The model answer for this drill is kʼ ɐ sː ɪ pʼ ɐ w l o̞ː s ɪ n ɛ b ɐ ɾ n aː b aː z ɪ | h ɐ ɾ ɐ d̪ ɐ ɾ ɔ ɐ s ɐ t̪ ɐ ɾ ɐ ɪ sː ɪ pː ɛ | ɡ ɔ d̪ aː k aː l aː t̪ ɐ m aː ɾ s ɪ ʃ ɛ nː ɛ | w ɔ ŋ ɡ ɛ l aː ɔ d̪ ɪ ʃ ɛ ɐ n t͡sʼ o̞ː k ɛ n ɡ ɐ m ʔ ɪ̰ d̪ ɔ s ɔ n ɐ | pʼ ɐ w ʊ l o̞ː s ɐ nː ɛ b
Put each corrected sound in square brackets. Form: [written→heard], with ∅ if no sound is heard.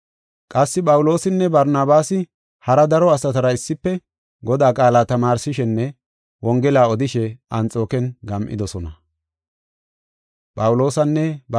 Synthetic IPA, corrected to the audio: kʼ ɐ sː ɪ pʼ ɐ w l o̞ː s ɪ [n→nː] ɛ b ɐ ɾ n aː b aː [z→s] ɪ | h ɐ ɾ ɐ d̪ ɐ ɾ ɔ ɐ s ɐ t̪ ɐ ɾ ɐ ɪ sː ɪ pː ɛ | ɡ ɔ d̪ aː [k→kʼ] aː l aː t̪ ɐ m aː ɾ s ɪ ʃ ɛ nː ɛ | w ɔ ŋ ɡ ɛ l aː ɔ d̪ ɪ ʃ ɛ ɐ n t͡sʼ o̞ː k ɛ n ɡ ɐ m ʔ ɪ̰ d̪ ɔ s ɔ n ɐ | pʼ ɐ w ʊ l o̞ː s ɐ nː ɛ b